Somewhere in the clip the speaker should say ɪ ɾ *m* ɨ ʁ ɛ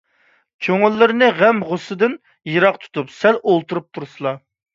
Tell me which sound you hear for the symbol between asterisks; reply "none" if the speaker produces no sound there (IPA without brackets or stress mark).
n